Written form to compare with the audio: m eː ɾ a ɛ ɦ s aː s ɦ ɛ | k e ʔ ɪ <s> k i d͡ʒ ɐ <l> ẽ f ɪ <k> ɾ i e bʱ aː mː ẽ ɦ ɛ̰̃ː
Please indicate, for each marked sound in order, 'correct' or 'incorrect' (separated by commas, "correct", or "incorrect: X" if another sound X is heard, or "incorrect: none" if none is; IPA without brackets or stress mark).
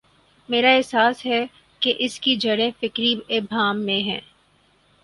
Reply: correct, incorrect: ɽ, correct